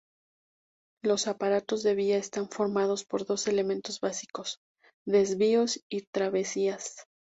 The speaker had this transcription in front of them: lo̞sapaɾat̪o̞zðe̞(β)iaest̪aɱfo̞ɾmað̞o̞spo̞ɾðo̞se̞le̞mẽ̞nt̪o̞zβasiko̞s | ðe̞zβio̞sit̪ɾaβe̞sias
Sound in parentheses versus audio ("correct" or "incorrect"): correct